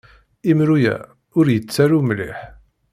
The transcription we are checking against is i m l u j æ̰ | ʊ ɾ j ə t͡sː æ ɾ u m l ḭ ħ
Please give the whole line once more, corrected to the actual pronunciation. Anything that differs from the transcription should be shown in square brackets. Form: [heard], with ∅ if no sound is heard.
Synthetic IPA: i m [ɾ] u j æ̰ | ʊ ɾ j ə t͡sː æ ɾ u m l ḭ ħ